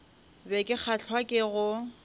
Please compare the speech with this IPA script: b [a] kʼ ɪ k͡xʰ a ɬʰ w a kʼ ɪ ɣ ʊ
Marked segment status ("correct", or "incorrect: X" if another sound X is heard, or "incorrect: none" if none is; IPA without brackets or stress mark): incorrect: ɛ